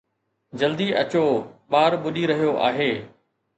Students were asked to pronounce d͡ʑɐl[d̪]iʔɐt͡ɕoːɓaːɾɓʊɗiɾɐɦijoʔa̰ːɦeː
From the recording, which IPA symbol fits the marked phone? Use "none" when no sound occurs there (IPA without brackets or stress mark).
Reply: d̪